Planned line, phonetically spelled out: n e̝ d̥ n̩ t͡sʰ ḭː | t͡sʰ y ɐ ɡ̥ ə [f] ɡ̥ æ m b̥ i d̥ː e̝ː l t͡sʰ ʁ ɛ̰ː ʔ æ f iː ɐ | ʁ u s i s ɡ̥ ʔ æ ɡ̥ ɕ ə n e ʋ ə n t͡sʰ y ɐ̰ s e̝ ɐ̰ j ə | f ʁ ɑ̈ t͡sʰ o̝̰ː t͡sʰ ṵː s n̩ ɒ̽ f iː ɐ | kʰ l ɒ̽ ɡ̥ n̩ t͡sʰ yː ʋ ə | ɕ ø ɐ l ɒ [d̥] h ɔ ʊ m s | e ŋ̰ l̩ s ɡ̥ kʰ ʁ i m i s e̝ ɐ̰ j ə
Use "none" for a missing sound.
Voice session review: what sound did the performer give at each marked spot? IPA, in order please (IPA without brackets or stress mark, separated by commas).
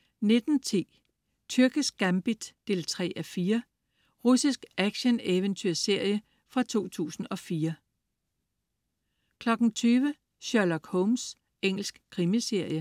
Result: s, ɡ̥